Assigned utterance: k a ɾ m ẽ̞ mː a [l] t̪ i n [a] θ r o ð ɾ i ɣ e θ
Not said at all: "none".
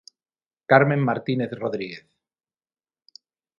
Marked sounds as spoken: ɾ, e

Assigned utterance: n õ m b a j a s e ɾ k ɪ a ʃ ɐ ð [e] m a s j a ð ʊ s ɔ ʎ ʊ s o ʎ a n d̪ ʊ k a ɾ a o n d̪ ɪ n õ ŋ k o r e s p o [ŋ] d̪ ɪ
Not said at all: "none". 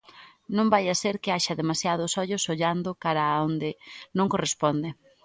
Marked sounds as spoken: e, n

